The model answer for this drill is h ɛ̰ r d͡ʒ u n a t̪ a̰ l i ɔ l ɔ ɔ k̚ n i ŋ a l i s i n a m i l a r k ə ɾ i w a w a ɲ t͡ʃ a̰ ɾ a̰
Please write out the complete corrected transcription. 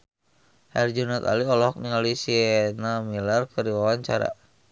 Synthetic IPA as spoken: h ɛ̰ r d͡ʒ u n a t̪ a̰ l i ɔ l ɔ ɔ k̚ n i ŋ a l i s i n a m i l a r k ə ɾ i w a w a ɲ t͡ʃ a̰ ɾ a̰